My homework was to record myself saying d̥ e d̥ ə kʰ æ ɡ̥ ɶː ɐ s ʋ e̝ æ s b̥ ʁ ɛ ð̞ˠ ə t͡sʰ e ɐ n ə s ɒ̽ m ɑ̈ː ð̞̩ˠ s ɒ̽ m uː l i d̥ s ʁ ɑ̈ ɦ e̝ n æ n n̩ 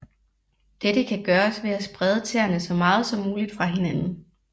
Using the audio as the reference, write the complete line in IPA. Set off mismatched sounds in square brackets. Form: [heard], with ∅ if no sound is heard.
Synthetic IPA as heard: d̥ e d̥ ə kʰ æ ɡ̥ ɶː ɐ s ʋ e̝ æ s b̥ ʁ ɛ ð̞ˠ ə t͡sʰ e ɐ n ə s ɒ̽ m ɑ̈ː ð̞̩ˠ s ɒ̽ m uː l i d̥ [f] ʁ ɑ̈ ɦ e̝ n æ n n̩